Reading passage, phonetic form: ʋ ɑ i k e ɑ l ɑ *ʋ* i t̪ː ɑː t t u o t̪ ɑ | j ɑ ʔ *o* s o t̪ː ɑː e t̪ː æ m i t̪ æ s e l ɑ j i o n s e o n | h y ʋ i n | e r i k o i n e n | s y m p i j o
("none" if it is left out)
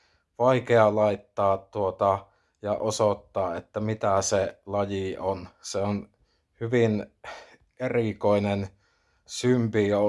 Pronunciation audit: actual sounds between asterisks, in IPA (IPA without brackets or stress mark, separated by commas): none, o